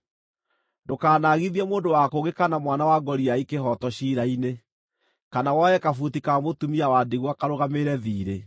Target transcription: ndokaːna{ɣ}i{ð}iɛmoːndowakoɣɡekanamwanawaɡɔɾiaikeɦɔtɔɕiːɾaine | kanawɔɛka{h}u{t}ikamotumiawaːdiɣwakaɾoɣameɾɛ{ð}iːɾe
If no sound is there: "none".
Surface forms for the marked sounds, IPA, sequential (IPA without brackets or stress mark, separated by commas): ɣ, ð, f, t, ð